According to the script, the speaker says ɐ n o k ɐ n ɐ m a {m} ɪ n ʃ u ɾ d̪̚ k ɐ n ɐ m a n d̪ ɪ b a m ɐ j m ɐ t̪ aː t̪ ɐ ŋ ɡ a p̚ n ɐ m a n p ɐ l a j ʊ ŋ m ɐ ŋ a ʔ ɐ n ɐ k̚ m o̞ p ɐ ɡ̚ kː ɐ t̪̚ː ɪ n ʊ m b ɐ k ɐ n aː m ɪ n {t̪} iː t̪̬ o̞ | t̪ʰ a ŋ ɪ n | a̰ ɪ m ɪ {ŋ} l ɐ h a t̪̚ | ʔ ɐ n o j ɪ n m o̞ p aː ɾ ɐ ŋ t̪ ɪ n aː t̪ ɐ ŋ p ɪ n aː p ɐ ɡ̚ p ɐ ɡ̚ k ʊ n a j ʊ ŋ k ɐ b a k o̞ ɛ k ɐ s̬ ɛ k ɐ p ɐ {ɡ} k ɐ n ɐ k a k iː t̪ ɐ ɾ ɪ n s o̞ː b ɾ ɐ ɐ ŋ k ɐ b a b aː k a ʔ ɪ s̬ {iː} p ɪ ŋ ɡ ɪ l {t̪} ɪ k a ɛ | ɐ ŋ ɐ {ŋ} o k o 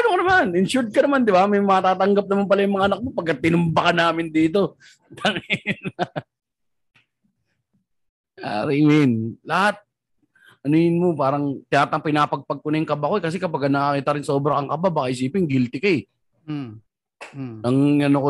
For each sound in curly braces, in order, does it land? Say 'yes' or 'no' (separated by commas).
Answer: no, no, no, yes, yes, yes, no